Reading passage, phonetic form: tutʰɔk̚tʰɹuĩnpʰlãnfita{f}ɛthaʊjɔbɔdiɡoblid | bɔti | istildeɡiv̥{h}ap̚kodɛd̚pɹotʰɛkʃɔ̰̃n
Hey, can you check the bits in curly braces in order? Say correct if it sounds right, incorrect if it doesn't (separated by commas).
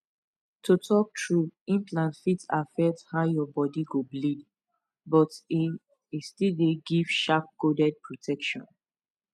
correct, incorrect